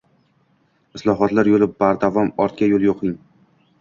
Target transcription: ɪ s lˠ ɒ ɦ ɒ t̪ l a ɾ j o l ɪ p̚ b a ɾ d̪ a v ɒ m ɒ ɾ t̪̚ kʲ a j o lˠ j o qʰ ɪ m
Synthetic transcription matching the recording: ɪ s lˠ ɒ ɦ ɒ t̪ l a ɾ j o l ɪ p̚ b a ɾ d̪ a v ɒ m ɒ ɾ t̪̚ kʲ a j o lˠ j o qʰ ɪ ŋ